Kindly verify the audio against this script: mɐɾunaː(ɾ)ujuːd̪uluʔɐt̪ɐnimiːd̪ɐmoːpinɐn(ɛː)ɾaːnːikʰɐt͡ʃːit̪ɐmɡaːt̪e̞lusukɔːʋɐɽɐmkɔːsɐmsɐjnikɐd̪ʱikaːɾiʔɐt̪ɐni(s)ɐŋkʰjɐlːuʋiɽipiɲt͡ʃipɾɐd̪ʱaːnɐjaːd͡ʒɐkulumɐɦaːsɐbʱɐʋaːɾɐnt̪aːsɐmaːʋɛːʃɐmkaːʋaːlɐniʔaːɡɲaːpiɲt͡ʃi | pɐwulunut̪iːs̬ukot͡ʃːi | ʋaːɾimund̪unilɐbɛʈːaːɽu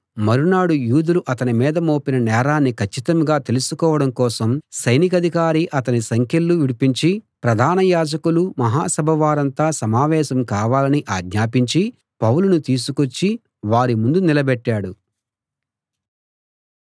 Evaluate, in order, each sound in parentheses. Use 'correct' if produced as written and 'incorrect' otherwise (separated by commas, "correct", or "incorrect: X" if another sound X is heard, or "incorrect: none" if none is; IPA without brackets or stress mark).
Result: incorrect: ɽ, correct, correct